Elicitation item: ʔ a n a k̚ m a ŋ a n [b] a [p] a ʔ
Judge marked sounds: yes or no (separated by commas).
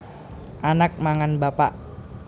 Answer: yes, yes